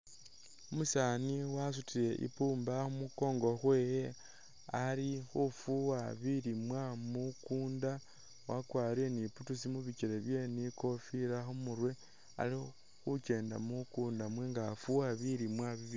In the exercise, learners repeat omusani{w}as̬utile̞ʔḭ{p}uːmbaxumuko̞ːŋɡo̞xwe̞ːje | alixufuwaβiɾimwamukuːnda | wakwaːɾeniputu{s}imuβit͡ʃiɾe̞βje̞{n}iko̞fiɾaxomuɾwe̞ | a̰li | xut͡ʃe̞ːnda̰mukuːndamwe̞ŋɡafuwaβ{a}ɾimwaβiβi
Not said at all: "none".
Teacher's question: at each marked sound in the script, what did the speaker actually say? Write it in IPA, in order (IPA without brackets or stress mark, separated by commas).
w, p, s, n, i